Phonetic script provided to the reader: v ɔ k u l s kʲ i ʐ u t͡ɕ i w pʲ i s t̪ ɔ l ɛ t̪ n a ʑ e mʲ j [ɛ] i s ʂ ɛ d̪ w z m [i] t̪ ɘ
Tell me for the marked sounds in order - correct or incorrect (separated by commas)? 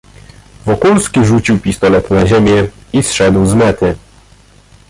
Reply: correct, incorrect